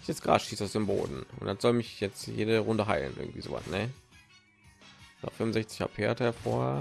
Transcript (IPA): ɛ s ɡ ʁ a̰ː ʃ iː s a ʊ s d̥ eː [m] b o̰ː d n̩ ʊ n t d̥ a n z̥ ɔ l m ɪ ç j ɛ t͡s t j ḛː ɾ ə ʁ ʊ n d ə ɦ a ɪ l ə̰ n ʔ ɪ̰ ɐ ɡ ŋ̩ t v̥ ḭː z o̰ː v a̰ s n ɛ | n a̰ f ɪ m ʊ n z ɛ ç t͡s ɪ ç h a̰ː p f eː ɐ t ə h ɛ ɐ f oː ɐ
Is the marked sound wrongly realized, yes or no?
no